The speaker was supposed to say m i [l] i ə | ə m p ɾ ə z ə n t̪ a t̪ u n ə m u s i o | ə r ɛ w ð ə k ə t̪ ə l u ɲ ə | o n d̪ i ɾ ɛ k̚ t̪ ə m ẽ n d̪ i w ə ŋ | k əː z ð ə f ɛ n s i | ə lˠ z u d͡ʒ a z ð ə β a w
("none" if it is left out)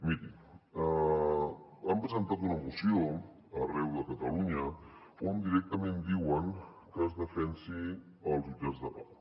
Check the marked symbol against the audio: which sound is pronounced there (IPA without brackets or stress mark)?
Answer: ɾ